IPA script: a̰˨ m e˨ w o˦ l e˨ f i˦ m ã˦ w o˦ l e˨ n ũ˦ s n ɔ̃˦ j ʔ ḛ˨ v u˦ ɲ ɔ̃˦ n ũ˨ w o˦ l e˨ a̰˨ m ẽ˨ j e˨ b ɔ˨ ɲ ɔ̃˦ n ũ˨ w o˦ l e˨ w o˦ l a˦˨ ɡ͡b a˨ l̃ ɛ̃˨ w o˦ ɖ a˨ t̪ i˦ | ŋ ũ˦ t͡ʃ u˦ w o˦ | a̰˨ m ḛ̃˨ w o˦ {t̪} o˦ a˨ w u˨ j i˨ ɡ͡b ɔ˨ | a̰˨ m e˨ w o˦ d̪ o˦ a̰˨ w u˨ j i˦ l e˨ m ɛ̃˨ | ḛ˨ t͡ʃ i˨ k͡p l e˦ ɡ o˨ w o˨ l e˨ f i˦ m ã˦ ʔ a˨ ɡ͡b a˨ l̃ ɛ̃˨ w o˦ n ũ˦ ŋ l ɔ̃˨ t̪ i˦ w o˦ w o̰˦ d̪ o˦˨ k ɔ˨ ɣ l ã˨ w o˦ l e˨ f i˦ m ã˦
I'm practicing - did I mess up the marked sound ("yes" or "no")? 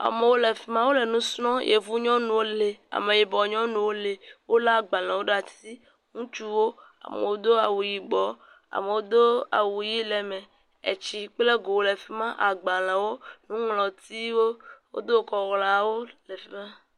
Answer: yes